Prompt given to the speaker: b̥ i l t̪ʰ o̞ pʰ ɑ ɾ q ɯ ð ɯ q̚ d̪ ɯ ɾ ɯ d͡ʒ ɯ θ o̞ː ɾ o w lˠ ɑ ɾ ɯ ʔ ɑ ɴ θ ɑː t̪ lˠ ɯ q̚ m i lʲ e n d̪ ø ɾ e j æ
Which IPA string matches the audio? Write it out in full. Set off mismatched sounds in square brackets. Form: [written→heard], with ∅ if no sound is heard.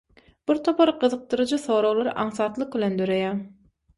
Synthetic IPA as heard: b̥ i [l→ɾ] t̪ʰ o̞ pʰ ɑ ɾ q ɯ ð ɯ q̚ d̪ ɯ ɾ ɯ d͡ʒ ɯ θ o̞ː ɾ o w lˠ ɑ ɾ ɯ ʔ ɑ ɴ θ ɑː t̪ lˠ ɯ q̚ [m→b] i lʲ e n d̪ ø ɾ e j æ